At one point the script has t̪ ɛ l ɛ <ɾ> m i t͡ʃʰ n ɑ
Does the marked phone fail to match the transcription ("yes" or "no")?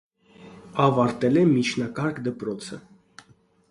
yes